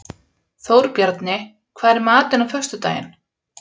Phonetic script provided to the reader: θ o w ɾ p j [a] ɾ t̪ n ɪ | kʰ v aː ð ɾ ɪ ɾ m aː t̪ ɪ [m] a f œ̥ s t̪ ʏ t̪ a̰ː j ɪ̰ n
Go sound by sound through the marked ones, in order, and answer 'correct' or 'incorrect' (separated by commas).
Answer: correct, incorrect